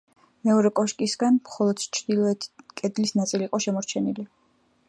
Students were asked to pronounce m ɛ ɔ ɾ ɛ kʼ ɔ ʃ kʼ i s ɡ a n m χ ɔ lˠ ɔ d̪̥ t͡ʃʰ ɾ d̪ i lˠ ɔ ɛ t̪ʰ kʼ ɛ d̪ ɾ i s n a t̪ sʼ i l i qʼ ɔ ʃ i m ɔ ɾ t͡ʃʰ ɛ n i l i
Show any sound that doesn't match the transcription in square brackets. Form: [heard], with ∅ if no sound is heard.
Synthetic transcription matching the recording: m ɛ ɔ ɾ ɛ kʼ ɔ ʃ kʼ i s ɡ a n m χ ɔ lˠ ɔ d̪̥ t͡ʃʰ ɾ d̪ i lˠ ɔ ɛ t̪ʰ kʼ ɛ d̪ [l] i s n a t̪ sʼ i l i qʼ ɔ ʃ [ɛ] m ɔ ɾ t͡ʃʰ ɛ n i l i

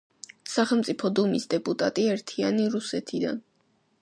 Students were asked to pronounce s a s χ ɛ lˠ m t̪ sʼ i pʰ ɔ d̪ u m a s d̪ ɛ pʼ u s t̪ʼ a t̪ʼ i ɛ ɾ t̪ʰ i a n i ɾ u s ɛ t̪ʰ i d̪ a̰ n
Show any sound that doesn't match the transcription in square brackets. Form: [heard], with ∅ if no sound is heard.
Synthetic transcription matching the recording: s a [∅] χ ɛ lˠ m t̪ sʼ i pʰ ɔ d̪ u m [i] s d̪ ɛ pʼ u [∅] t̪ʼ a t̪ʼ i ɛ ɾ t̪ʰ i a n i ɾ u s ɛ t̪ʰ i d̪ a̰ n

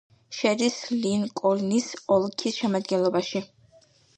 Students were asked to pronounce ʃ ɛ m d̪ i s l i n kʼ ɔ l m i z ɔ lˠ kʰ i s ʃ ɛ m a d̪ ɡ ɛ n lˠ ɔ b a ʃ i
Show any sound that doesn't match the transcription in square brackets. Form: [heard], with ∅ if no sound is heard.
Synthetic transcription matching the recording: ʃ ɛ [∅] d̪ i s l i n kʼ ɔ l [n] i [s] ɔ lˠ kʰ i s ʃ ɛ m a d̪ ɡ ɛ n lˠ ɔ b a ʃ i

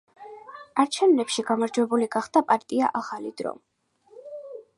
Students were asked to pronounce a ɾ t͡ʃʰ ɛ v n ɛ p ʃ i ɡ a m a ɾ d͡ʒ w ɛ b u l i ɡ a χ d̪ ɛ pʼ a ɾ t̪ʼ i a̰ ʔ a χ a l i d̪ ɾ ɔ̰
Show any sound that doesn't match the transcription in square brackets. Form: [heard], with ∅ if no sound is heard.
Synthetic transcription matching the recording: a ɾ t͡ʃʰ ɛ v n ɛ p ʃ i ɡ a m a ɾ d͡ʒ w ɛ b u l i ɡ a χ d̪ [a] pʼ a ɾ t̪ʼ i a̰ ʔ a χ a l i d̪ ɾ ɔ̰

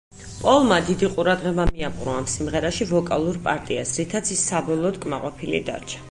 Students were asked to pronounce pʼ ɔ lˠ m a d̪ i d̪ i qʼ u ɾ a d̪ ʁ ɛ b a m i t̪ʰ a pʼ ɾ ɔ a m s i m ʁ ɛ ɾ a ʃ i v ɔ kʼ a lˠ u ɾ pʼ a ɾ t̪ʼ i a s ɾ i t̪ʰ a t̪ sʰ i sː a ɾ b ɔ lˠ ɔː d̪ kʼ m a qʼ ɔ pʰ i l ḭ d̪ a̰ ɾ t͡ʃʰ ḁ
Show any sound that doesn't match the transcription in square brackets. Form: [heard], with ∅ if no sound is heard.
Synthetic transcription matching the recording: pʼ ɔ lˠ m a d̪ i d̪ i qʼ u ɾ a d̪ ʁ ɛ b a m i [∅] a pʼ ɾ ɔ a m s i m ʁ ɛ ɾ a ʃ i v ɔ kʼ a lˠ u ɾ pʼ a ɾ t̪ʼ i a s ɾ i t̪ʰ a t̪ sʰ i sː a [∅] b ɔ lˠ ɔː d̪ kʼ m a qʼ ɔ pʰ i l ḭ d̪ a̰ ɾ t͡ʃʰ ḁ

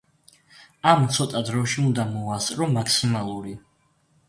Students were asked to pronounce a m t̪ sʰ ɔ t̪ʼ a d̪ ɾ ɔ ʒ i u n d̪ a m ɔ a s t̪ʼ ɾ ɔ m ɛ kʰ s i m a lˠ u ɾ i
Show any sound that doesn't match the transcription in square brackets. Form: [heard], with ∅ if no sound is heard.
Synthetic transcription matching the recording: a m t̪ sʰ ɔ t̪ʼ a d̪ ɾ ɔ [ʃ] i u n d̪ a m ɔ a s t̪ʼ ɾ ɔ m [a] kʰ s i m a lˠ u ɾ i

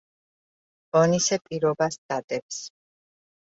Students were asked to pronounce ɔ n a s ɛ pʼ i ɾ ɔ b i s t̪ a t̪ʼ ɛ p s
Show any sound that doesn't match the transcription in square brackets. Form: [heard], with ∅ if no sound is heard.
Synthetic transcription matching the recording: ɔ n [i] s ɛ pʼ i ɾ ɔ b [a] s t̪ a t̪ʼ ɛ p s

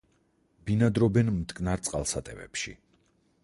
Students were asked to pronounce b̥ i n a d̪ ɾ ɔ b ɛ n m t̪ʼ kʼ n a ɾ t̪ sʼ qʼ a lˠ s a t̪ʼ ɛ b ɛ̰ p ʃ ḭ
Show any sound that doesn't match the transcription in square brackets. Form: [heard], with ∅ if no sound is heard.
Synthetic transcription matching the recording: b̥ i n a d̪ ɾ ɔ b ɛ n m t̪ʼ kʼ n a ɾ t̪ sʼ qʼ a lˠ s a t̪ʼ ɛ [v] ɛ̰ p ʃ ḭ

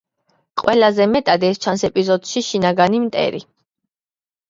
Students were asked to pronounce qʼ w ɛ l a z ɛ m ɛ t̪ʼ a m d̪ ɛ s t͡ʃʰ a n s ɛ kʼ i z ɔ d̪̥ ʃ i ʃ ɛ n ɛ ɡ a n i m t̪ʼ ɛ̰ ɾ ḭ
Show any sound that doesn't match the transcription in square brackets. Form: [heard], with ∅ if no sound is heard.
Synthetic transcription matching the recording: qʼ w ɛ l a z ɛ m ɛ t̪ʼ a [∅] d̪ ɛ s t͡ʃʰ a n s ɛ [pʼ] i z ɔ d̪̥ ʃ i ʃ [i] n [a] ɡ a n i m t̪ʼ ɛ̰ ɾ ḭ

